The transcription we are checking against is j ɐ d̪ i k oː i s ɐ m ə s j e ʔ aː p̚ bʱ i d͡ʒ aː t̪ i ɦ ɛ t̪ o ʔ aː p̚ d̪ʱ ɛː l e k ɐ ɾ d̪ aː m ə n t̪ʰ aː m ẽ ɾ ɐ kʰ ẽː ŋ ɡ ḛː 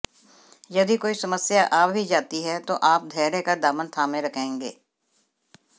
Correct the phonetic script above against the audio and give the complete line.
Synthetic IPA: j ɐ d̪ i k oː i s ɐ m ə s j a ʔ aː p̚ bʱ i d͡ʒ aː t̪ i ɦ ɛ t̪ o ʔ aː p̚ d̪ʱ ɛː ɾ e k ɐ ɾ d̪ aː m ə n t̪ʰ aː m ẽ ɾ ɐ kʰ ẽː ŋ ɡ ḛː